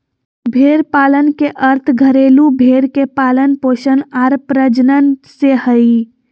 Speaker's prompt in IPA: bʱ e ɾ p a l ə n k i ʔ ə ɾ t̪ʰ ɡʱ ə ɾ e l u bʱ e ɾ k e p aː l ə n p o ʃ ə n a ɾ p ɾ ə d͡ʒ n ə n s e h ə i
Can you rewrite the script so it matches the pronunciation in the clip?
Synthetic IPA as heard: bʱ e ɾ p a l ə n k e ʔ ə ɾ t̪ʰ ɡʱ ə ɾ e l u bʱ e ɾ k e p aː l ə n p o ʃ ə n a ɾ p ɾ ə d͡ʒ n ə n s e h ə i